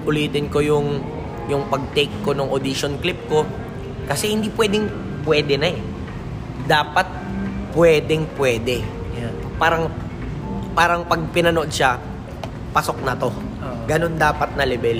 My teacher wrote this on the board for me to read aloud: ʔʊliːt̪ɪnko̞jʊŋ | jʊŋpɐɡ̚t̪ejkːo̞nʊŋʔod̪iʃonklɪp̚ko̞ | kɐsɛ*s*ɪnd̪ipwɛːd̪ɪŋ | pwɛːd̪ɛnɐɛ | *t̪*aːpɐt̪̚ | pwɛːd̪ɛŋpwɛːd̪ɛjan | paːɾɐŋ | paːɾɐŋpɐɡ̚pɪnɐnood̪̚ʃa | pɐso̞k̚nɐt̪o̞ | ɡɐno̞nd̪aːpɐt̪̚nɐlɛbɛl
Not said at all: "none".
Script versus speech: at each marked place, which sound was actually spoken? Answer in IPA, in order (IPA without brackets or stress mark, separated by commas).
h, d̪